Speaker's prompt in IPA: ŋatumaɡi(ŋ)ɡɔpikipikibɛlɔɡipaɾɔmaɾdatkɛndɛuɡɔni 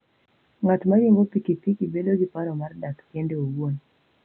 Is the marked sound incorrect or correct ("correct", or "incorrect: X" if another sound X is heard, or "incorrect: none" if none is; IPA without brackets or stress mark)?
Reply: correct